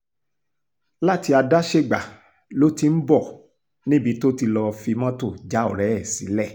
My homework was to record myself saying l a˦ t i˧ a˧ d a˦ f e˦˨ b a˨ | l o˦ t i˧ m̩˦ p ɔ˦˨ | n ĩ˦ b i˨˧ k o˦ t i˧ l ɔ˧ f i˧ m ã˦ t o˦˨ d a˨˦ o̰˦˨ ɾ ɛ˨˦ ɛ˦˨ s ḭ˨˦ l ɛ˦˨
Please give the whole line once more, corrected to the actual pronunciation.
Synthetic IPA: l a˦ t i˧ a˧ d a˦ ʃ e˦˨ ɡ͡b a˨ | l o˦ t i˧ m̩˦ b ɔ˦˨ | n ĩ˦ b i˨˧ t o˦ t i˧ l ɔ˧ f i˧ m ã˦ t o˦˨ d͡ʒ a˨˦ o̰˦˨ ɾ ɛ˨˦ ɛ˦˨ s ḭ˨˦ l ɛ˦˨